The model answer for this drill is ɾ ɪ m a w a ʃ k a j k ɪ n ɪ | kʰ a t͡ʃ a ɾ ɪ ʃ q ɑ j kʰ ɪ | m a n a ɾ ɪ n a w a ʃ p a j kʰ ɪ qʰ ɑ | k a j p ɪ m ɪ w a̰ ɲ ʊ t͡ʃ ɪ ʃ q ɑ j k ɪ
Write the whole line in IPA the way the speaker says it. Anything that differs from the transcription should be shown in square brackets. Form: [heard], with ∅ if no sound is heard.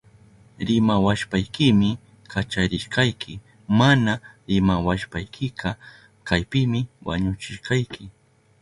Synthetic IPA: ɾ ɪ m a w a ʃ [p] a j k ɪ [m] ɪ | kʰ a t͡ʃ a ɾ ɪ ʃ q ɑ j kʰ ɪ | m a n a ɾ ɪ [m] a w a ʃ p a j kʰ ɪ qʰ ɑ | k a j p ɪ m ɪ w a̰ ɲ ʊ t͡ʃ ɪ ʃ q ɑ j k ɪ